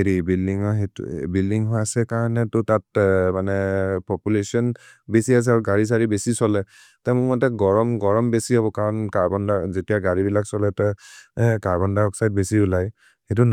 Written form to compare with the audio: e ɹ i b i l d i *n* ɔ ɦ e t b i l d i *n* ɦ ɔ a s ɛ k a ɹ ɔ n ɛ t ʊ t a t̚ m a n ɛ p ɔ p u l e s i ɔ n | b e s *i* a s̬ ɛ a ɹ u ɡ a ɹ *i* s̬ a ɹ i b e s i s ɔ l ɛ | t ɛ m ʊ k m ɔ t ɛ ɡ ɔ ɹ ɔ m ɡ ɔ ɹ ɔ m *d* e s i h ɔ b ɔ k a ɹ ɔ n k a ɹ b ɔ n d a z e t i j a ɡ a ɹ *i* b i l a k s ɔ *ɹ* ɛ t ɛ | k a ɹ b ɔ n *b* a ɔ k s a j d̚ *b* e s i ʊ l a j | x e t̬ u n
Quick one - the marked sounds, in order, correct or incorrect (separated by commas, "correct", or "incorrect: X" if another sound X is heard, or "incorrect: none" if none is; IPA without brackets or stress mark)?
incorrect: ŋ, incorrect: ŋ, correct, correct, incorrect: b, correct, incorrect: l, incorrect: d, correct